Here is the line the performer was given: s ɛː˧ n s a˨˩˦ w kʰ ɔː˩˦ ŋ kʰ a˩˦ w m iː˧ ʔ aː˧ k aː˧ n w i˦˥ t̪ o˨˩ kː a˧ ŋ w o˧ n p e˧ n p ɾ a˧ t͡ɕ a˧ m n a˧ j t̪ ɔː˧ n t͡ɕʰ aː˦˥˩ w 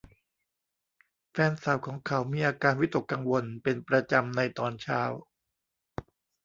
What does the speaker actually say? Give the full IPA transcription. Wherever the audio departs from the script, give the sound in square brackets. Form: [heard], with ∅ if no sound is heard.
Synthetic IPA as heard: [f] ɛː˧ n s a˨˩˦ w kʰ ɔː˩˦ ŋ kʰ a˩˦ w m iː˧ ʔ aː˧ k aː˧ n w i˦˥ t̪ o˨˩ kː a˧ ŋ w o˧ n p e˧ n p ɾ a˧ t͡ɕ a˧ m n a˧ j t̪ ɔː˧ n t͡ɕʰ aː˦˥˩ w